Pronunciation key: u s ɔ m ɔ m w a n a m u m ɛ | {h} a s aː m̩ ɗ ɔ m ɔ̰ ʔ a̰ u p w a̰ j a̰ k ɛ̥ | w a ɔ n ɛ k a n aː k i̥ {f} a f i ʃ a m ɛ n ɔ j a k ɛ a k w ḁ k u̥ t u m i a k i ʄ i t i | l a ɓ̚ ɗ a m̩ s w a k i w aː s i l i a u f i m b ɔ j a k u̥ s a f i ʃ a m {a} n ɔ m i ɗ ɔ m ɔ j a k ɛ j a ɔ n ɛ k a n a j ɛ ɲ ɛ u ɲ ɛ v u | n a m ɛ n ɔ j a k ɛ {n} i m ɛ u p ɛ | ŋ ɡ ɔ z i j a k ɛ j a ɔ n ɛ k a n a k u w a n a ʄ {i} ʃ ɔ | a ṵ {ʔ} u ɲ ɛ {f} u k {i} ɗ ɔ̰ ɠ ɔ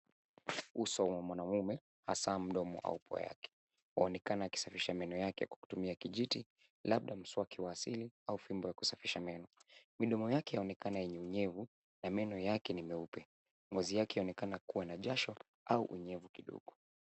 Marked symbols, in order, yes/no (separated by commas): yes, no, no, yes, no, yes, no, yes